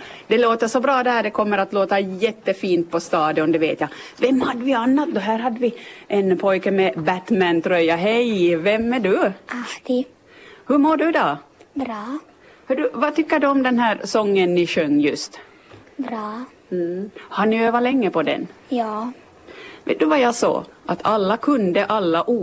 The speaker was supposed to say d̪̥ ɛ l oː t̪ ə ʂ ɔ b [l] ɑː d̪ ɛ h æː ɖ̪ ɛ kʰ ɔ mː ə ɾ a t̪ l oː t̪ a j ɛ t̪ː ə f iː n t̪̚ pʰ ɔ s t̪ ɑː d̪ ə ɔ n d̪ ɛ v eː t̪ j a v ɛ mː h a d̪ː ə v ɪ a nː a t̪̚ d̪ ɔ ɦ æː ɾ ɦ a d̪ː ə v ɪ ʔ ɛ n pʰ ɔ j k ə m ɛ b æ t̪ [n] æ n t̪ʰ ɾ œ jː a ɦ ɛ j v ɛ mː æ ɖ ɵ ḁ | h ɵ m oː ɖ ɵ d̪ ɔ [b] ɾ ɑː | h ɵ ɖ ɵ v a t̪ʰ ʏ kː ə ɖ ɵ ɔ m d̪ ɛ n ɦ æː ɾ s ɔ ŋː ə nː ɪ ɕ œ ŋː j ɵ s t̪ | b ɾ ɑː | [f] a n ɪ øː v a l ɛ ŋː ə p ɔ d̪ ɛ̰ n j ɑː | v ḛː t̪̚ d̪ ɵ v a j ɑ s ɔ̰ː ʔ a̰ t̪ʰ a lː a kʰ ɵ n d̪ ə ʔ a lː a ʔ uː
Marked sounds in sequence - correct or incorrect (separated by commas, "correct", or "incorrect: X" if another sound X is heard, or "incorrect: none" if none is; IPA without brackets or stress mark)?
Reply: incorrect: ɾ, incorrect: m, correct, incorrect: h